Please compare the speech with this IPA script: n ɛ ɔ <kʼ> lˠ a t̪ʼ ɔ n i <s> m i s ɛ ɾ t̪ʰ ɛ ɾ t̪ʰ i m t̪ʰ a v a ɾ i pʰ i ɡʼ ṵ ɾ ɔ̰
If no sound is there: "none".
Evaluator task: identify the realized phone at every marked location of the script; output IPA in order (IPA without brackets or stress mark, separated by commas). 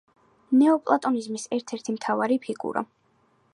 pʼ, z